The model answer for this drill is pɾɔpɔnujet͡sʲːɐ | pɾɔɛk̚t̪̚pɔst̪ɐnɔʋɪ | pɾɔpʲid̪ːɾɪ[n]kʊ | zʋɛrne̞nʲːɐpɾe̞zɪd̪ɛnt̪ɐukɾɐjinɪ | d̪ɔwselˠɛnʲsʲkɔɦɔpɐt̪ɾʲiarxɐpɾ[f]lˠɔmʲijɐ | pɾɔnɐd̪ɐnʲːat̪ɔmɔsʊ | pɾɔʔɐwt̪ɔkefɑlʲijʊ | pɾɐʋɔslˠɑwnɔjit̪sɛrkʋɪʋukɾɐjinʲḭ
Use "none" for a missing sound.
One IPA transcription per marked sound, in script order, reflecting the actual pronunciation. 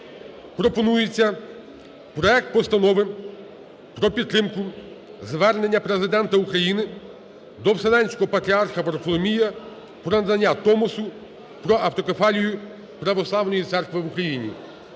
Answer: m, f

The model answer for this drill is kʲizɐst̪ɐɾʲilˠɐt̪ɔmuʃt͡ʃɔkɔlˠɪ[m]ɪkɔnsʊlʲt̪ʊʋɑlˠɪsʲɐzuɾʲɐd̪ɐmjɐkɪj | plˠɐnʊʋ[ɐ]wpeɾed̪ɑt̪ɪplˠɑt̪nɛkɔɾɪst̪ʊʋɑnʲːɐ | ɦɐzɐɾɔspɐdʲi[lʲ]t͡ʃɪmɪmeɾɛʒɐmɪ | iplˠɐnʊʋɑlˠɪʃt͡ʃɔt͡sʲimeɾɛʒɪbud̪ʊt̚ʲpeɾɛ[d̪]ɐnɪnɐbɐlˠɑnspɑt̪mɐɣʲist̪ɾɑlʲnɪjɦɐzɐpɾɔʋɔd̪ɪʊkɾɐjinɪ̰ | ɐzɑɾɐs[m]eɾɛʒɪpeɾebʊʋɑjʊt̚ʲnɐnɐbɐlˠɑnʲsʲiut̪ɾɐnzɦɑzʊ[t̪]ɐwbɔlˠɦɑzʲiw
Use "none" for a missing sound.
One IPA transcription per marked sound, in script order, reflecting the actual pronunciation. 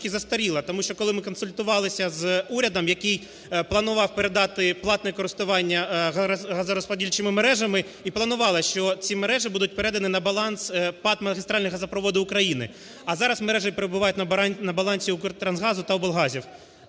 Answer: m, ɑ, lʲ, d̪, m, t̪

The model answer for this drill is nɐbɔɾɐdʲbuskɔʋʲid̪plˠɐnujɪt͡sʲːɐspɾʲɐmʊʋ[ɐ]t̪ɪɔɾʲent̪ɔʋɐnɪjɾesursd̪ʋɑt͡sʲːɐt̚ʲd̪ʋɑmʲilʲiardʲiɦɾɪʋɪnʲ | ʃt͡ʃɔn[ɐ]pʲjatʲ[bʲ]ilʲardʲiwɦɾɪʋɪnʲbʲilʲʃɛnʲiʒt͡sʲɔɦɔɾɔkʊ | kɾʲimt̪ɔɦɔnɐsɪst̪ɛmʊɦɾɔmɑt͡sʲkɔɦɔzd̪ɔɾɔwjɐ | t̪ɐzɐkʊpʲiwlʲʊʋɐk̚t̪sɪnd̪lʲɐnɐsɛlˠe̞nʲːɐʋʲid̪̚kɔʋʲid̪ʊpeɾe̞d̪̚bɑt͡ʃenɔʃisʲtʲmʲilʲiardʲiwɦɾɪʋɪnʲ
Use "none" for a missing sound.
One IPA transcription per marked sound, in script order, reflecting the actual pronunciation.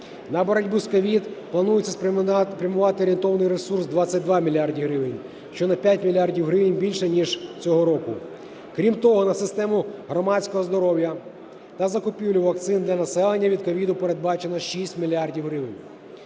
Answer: ɑ, ɐ, mʲ

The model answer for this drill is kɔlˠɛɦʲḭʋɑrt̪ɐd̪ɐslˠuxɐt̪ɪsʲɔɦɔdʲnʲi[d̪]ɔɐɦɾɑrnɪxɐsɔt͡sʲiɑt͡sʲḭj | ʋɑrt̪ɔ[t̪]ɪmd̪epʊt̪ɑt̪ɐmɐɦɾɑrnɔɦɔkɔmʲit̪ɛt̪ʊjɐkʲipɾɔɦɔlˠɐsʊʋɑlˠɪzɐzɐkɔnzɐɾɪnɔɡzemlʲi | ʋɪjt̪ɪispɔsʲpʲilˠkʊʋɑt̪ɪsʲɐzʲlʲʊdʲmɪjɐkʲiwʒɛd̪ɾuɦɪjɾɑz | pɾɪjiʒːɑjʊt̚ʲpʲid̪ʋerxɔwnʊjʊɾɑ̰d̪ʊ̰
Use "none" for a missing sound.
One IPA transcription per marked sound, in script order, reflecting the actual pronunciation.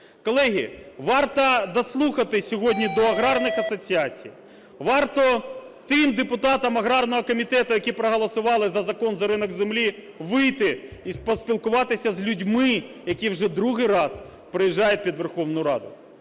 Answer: d̪, t̪

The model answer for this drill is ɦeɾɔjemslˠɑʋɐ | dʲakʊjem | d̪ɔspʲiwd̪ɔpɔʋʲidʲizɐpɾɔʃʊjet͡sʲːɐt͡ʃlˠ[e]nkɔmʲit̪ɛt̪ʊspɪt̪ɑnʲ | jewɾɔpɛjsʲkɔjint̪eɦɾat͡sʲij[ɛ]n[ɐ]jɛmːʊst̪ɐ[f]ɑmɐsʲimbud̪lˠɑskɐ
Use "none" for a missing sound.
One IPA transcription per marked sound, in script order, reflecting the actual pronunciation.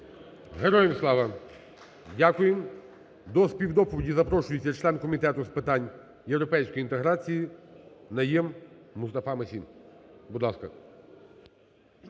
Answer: ɛ, i, ɐ, f

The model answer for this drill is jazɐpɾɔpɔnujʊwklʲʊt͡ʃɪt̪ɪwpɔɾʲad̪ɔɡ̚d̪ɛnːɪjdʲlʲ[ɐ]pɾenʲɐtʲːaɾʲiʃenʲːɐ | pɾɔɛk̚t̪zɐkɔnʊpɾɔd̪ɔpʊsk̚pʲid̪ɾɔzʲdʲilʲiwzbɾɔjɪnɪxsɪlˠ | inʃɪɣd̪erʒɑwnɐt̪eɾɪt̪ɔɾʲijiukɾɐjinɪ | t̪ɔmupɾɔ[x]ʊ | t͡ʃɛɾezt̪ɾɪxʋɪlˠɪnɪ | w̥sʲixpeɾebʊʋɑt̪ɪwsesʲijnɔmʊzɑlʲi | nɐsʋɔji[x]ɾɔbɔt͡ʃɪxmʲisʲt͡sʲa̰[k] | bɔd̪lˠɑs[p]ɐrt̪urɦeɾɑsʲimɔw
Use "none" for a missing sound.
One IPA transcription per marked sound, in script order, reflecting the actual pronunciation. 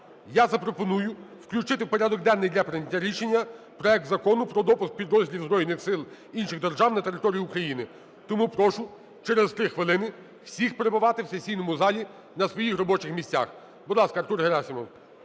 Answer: ɐ, ʃ, x, x, k

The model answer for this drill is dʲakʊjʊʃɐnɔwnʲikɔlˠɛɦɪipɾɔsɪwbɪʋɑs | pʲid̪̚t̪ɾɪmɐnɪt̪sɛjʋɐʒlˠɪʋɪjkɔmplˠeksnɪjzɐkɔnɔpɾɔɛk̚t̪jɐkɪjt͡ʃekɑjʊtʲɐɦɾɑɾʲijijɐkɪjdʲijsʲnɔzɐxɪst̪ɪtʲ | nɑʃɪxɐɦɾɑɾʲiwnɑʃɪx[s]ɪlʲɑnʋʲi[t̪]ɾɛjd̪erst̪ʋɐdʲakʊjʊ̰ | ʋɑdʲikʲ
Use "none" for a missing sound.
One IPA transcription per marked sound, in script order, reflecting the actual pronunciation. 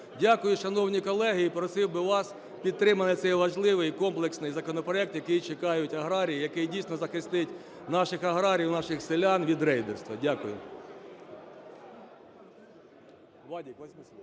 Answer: s, d̪

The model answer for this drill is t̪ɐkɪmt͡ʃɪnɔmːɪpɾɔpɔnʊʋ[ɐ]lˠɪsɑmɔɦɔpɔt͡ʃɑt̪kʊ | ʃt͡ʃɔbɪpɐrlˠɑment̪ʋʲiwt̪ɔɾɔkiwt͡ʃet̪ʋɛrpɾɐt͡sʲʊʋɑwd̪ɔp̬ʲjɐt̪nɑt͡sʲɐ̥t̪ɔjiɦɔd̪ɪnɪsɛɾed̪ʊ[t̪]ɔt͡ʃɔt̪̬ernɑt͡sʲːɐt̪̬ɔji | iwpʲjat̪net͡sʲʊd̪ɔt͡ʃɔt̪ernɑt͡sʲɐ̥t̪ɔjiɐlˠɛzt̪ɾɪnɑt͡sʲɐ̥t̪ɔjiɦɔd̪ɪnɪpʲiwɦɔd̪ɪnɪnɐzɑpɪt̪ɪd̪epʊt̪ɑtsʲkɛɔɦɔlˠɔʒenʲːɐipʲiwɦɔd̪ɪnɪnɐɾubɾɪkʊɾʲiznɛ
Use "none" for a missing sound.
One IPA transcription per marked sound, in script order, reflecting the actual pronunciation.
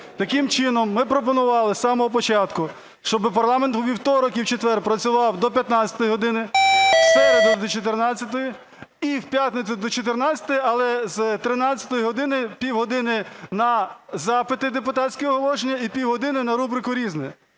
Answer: ɑ, d̪

